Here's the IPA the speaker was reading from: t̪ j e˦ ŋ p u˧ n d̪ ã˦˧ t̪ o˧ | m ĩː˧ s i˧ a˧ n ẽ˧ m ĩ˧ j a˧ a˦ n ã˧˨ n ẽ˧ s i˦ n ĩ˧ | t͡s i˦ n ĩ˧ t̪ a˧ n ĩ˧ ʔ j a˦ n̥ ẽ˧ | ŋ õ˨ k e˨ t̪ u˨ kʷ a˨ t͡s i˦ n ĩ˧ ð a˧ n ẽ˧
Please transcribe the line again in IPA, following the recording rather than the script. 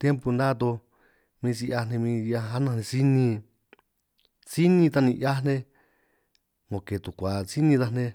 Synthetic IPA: t̪ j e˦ m p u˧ n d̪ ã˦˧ t̪ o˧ | m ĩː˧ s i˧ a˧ n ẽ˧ m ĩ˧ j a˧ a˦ n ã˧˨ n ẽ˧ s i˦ n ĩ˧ | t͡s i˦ n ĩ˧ t̪ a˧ n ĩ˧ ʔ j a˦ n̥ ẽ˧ | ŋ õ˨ k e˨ t̪ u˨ kʷ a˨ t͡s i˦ n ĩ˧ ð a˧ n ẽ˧